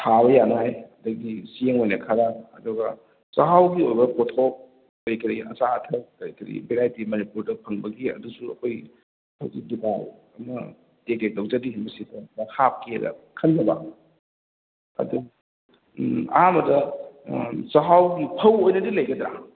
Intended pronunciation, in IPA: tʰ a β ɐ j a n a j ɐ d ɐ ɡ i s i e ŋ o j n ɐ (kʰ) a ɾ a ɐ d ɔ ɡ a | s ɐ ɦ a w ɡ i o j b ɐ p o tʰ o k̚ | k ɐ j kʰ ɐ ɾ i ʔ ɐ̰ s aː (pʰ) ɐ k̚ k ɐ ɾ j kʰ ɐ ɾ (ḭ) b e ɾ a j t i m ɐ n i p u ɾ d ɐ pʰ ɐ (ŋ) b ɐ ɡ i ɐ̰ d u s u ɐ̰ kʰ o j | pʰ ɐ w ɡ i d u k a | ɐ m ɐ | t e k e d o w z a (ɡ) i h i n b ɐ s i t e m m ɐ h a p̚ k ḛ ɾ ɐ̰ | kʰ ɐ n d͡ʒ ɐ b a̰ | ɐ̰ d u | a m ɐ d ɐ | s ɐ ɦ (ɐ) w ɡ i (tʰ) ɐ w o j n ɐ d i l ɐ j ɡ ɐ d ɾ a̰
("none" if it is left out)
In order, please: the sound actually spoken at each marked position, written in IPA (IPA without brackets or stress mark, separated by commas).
kʰ, tʰ, ḭ, ŋ, d, a, pʰ